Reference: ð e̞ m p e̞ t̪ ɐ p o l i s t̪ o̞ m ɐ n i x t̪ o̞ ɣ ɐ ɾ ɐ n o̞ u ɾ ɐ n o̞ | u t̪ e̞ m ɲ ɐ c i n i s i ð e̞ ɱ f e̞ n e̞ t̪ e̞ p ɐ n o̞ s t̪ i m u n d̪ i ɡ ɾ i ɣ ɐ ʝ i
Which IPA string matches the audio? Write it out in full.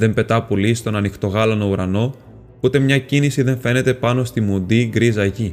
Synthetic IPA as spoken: ð e̞ m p e̞ t̪ ɐ p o l i s t̪ o̞ n ɐ n i x t̪ o̞ ɣ ɐ l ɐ n o̞ u ɾ ɐ n o̞ | u t̪ e̞ m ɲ ɐ c i n i s i ð e̞ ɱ f e̞ n e̞ t̪ e̞ p ɐ n o̞ s t̪ i m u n d̪ i ɡ ɾ i z ɐ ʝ i